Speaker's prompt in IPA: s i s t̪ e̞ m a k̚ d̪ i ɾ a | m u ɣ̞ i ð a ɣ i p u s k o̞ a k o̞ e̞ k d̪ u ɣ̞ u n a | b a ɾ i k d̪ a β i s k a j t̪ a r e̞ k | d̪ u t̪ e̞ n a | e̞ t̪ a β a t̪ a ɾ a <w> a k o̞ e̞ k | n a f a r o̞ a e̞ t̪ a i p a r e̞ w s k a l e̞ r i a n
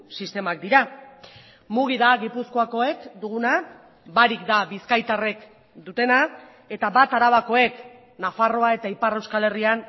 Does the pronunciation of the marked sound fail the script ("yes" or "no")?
yes